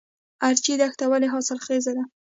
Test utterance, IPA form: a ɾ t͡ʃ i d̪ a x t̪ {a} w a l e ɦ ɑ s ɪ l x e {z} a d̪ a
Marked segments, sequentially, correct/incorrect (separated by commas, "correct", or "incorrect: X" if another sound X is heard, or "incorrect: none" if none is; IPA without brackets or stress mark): correct, correct